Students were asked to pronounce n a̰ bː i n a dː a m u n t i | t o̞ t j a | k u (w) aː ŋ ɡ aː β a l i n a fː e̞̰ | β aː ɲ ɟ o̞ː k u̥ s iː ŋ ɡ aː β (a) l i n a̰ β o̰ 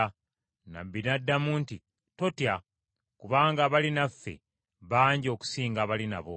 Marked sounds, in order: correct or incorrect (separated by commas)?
incorrect, correct